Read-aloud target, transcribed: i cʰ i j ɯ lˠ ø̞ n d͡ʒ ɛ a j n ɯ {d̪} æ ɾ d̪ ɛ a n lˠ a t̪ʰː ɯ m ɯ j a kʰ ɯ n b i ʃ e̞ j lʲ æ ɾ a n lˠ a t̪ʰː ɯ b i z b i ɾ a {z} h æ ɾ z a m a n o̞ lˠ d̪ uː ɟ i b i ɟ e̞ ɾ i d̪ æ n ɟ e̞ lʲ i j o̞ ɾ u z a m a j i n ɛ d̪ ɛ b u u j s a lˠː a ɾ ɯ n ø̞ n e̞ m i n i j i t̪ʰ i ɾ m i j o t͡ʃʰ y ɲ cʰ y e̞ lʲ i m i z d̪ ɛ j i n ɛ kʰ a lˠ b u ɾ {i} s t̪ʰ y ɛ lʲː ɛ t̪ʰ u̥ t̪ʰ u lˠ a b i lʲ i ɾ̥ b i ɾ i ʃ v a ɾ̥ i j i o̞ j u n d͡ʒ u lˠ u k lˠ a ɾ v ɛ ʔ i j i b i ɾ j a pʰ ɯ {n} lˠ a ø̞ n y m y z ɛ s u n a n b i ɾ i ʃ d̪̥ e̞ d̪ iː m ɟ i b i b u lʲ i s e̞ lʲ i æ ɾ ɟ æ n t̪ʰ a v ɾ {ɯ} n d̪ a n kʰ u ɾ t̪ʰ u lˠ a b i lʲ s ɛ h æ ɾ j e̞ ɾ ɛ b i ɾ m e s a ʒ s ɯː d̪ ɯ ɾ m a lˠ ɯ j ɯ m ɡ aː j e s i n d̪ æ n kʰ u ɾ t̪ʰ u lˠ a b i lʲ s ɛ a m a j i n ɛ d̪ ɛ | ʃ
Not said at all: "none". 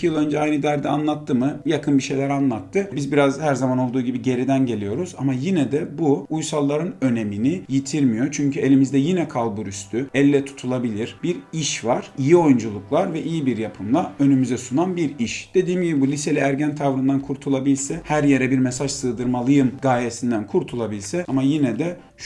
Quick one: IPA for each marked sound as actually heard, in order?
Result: d̪, z, y, m, ɯ

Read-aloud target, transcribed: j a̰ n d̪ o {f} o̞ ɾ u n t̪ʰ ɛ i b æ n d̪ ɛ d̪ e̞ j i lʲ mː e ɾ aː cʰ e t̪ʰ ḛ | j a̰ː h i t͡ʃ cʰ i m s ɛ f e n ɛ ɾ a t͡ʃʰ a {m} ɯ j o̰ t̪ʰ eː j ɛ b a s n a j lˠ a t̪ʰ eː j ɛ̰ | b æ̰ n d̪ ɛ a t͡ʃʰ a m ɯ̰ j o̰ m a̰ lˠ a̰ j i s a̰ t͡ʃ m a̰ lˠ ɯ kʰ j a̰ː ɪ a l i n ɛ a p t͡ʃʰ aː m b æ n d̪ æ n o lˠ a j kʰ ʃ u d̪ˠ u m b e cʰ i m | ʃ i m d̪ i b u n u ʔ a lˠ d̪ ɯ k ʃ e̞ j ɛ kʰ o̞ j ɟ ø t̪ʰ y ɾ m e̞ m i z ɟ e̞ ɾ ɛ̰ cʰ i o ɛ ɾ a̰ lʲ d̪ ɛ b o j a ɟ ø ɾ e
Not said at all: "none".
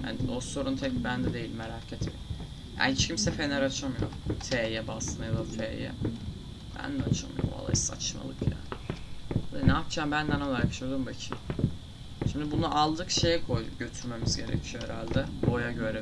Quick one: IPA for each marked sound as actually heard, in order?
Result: s, m

